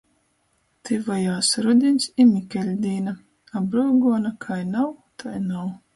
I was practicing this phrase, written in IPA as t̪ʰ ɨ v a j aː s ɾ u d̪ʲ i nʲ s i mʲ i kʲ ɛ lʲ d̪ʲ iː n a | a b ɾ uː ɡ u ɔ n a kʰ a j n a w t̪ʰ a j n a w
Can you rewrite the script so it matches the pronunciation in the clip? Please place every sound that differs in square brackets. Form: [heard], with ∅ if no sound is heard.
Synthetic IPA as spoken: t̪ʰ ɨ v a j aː s ɾ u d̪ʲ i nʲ s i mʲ i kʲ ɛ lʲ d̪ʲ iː n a | a b ɾ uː ɡ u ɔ n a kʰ a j n a w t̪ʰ a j n a w